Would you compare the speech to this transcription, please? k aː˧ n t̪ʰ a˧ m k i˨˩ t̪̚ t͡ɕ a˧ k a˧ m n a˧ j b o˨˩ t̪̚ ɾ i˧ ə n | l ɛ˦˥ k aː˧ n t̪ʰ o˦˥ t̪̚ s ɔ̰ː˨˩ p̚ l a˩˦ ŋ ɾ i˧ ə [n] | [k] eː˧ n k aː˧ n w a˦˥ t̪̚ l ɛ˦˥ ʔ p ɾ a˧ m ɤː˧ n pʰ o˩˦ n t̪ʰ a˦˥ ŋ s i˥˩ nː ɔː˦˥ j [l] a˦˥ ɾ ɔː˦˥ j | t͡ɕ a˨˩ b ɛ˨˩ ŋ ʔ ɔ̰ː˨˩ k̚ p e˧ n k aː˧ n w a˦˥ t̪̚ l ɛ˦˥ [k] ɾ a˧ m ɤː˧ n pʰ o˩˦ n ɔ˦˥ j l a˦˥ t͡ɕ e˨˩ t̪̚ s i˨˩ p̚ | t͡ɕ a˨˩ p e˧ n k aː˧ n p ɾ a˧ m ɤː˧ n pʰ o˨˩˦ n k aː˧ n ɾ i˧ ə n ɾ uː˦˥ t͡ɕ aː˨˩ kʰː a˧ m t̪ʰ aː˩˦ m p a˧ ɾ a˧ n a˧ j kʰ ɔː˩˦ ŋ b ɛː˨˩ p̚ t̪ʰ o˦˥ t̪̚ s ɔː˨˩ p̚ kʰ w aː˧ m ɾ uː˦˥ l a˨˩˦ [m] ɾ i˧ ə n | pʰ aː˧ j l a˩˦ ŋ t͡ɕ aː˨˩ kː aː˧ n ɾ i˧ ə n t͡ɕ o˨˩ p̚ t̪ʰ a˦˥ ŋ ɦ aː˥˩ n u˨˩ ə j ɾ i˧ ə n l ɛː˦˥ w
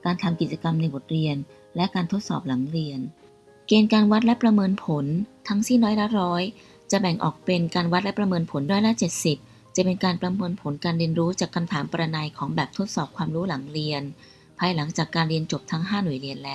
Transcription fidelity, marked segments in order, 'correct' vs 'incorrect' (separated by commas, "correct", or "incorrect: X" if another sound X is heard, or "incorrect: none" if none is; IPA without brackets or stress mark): correct, correct, correct, incorrect: p, incorrect: ŋ